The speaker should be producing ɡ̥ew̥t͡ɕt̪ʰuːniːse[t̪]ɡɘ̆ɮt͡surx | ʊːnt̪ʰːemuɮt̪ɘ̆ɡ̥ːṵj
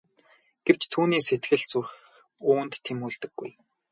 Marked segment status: correct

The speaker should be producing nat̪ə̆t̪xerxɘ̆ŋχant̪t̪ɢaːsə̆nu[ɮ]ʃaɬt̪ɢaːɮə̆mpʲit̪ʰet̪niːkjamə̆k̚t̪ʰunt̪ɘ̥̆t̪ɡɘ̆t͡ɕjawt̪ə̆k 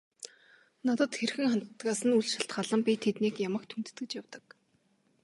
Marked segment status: correct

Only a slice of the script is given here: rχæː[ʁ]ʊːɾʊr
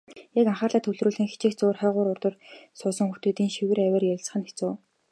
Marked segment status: correct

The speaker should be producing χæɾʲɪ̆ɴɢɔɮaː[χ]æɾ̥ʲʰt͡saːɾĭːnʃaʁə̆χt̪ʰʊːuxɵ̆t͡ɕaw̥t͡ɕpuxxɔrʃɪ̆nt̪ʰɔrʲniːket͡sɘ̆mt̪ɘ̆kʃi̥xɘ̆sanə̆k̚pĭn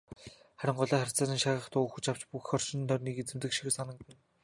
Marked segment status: correct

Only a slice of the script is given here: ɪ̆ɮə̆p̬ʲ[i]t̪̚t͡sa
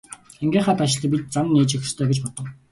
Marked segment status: correct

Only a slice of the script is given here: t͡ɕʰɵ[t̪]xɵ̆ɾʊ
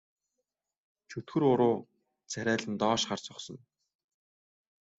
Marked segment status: correct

